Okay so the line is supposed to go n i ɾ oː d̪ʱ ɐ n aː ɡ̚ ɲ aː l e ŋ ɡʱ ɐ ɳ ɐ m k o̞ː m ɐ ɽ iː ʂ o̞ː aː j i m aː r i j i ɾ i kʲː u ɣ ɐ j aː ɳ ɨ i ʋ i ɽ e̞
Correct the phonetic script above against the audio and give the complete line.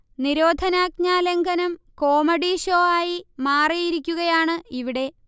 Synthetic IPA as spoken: n i ɾ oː d̪ʱ ɐ n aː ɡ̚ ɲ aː l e ŋ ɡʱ ɐ n ɐ m k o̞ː m ɐ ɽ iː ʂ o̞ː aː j i m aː r i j i ɾ i kʲː u ɣ ɐ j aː ɳ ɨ i ʋ i ɽ e̞